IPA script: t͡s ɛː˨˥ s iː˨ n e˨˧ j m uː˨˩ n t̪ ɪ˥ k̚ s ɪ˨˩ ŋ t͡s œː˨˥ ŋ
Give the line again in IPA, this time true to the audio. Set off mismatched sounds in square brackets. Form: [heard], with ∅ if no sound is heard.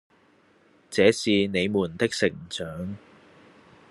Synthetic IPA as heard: t͡s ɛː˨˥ s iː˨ n e˨˧ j m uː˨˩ n t̪ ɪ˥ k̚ s ɪ˨˩ ŋ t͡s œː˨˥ ŋ